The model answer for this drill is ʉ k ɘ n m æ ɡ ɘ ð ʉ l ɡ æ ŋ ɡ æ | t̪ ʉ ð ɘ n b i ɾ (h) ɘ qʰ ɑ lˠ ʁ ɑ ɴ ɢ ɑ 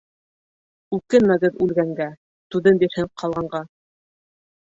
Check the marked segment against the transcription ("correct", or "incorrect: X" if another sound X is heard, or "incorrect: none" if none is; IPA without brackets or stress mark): correct